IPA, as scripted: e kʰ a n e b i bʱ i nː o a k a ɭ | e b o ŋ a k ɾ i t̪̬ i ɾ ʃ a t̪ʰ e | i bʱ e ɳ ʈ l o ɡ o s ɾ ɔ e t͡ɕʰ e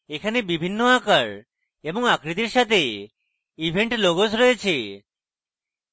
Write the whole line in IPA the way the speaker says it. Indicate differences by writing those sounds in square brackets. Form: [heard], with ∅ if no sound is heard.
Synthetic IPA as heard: e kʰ a n e b i bʱ i nː o a k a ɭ | e b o ŋ a k ɾ i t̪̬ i ɾ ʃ a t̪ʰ e | i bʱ e ɳ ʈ l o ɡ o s ɾ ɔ e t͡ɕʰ e